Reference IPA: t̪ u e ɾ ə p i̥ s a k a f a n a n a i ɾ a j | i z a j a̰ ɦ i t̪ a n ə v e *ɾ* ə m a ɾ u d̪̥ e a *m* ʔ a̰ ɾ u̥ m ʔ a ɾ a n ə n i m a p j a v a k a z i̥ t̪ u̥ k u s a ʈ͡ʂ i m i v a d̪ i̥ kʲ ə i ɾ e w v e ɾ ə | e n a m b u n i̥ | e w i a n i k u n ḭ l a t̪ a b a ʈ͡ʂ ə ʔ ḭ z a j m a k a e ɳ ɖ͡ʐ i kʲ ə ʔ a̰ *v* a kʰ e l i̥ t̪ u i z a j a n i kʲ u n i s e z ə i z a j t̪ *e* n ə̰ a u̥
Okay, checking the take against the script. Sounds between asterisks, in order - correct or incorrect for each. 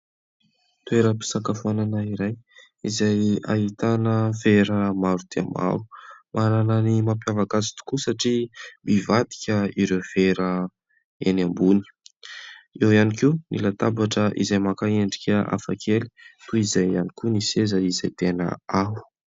correct, correct, incorrect: f, correct

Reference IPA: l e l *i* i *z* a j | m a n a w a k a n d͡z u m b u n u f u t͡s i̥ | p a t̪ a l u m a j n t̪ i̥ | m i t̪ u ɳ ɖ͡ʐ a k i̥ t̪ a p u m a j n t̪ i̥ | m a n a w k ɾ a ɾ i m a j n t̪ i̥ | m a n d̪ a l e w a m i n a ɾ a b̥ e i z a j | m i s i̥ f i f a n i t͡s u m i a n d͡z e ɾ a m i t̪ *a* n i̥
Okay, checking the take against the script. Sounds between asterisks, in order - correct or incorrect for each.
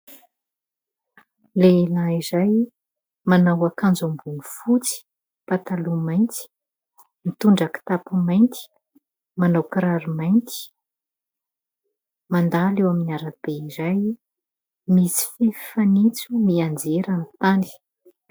incorrect: a, correct, correct

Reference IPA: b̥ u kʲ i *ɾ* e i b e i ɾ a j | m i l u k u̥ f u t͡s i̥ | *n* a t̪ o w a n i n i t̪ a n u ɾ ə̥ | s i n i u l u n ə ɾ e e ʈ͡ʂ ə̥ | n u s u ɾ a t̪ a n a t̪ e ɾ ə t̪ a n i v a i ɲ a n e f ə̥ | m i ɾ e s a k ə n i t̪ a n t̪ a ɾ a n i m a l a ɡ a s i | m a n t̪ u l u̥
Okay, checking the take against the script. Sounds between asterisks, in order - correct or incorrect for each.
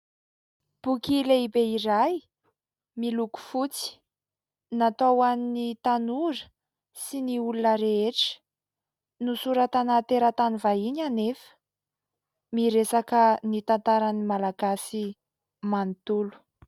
incorrect: l, correct

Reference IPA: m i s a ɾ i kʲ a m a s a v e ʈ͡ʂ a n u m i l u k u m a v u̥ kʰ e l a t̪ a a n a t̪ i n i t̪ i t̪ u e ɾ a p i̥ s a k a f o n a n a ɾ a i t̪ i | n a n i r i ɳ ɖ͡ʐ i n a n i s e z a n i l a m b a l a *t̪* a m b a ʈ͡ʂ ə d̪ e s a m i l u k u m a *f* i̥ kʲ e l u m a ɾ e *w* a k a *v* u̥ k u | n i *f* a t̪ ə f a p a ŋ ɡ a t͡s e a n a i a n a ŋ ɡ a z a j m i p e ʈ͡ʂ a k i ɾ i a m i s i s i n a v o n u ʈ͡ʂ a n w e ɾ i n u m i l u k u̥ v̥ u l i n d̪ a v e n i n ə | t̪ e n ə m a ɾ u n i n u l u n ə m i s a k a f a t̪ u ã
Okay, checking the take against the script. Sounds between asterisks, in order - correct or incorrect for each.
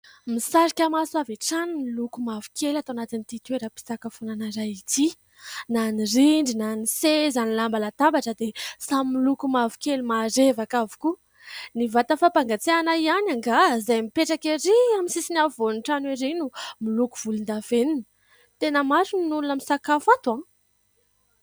correct, incorrect: v, incorrect: v, correct, incorrect: v

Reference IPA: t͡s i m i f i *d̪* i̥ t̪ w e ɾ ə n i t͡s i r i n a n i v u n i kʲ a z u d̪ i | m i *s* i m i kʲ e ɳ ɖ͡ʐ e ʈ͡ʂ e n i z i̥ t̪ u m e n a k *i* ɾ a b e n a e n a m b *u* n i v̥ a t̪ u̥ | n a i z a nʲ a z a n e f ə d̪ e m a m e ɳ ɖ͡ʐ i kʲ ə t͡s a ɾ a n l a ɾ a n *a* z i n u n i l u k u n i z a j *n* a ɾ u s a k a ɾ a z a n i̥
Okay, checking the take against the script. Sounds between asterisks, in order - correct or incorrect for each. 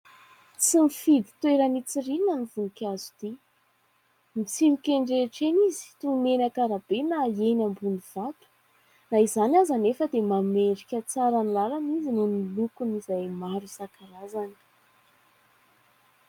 correct, incorrect: t͡s, incorrect: a, correct, incorrect: i, incorrect: m

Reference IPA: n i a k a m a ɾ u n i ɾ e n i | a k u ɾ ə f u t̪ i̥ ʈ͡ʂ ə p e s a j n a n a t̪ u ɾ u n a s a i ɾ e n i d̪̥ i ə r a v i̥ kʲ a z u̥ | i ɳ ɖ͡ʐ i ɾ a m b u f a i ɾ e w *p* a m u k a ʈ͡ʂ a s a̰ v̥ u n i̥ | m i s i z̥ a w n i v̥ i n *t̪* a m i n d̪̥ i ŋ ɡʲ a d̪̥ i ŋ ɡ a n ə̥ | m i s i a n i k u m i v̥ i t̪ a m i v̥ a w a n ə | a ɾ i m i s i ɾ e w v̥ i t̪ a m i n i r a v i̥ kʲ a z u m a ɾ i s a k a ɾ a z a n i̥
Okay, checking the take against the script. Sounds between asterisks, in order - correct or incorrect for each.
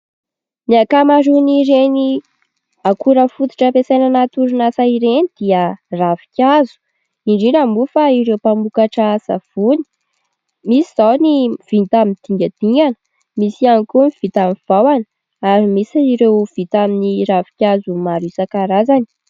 correct, correct

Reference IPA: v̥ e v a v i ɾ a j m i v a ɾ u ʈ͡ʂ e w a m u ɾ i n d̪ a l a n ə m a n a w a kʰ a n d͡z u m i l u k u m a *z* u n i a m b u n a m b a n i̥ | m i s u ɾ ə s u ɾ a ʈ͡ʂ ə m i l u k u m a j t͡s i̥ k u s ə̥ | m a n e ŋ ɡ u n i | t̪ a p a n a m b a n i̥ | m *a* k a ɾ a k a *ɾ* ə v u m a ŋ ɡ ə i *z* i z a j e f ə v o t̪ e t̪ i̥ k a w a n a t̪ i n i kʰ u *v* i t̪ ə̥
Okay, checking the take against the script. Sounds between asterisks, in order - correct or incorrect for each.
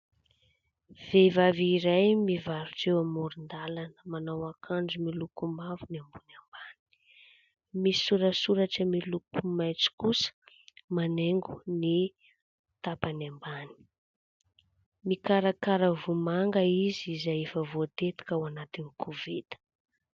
incorrect: v, incorrect: i, correct, correct, correct

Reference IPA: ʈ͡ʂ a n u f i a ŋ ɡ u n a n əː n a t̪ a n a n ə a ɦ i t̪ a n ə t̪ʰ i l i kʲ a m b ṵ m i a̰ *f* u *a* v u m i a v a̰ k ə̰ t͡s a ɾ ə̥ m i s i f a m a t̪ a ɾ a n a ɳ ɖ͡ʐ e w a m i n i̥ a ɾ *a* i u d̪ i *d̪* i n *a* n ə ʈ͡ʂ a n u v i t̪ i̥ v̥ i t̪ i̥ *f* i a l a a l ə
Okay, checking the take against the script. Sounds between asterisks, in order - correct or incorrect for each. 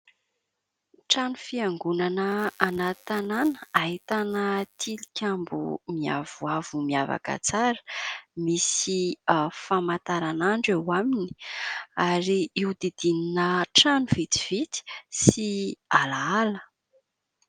incorrect: v, correct, incorrect: i, correct, incorrect: i, incorrect: s

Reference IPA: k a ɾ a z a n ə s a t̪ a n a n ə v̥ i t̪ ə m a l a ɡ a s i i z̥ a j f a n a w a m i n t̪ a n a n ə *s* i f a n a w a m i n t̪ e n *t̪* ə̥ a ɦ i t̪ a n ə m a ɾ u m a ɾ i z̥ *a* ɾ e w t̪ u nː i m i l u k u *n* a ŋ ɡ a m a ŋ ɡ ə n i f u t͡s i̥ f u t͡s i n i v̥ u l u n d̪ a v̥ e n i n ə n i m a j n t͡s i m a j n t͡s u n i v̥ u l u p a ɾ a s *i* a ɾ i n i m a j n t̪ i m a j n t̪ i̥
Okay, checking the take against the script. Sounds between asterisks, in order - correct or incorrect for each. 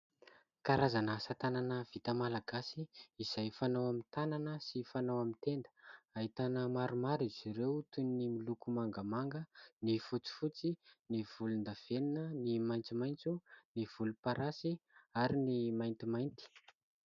correct, incorrect: d̪, incorrect: i, incorrect: m, correct

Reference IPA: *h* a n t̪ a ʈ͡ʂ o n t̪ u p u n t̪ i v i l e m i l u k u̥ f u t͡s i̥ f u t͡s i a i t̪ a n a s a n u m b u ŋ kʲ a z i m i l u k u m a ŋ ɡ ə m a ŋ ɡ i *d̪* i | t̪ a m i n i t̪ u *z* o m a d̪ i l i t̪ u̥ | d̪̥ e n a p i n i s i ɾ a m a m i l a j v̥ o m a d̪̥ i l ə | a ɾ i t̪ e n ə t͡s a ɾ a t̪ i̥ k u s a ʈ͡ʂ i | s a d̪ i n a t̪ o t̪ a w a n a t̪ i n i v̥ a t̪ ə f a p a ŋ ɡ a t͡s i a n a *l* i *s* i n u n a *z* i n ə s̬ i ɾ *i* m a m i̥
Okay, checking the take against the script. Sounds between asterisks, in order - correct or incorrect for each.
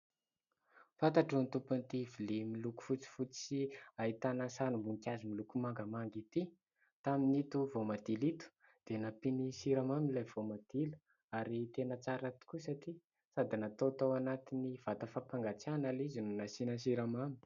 incorrect: f, incorrect: t̪, incorrect: v, correct, incorrect: z, incorrect: s, incorrect: a

